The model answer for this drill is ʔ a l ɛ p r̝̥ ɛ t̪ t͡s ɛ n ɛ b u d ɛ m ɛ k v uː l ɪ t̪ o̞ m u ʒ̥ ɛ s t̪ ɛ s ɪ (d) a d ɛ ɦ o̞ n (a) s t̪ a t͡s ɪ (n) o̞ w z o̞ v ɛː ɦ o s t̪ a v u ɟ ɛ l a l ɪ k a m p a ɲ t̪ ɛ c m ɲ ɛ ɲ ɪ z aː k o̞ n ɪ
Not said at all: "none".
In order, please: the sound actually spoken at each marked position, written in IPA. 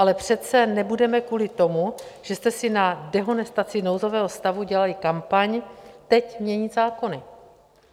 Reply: n, ɛ, n

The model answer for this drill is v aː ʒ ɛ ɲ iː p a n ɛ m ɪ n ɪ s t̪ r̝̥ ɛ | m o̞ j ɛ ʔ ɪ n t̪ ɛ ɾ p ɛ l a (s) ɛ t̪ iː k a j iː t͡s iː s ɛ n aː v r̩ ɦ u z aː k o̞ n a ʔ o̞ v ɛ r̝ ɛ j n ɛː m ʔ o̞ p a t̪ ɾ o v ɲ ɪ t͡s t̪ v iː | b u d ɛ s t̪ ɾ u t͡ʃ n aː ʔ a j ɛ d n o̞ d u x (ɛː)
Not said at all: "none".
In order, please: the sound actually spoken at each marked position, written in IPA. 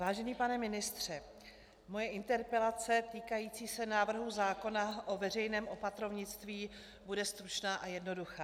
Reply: t͡s, aː

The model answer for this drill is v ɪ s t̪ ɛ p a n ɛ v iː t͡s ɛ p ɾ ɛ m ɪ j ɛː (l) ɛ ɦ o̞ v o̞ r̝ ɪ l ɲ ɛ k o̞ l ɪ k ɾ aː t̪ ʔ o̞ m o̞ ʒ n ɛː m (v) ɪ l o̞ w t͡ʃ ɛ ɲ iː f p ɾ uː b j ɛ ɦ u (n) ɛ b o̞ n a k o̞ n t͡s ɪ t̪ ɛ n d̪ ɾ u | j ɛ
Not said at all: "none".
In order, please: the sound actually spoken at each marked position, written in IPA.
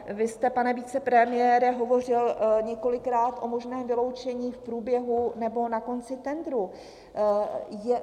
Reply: ɾ, v, n

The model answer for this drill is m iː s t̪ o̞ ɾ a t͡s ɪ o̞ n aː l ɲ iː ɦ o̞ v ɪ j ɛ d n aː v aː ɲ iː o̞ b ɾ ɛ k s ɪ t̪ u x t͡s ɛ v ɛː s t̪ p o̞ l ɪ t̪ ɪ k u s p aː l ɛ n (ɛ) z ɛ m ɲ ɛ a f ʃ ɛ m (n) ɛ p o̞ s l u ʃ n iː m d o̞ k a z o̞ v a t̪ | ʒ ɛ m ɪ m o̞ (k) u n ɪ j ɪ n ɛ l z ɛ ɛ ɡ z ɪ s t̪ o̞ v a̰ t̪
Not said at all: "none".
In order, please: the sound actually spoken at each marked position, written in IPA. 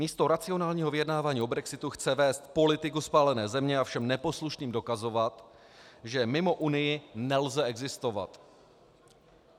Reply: ɛː, n, ʔ

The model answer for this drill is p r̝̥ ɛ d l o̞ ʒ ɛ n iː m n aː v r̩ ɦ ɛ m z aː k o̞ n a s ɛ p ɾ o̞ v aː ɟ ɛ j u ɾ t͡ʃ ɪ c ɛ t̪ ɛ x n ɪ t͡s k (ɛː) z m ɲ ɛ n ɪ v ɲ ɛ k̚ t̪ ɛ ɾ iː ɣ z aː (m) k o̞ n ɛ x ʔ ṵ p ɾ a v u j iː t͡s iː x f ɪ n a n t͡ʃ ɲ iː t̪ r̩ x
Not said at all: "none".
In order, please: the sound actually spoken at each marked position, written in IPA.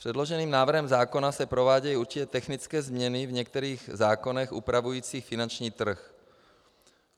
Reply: ɛː, none

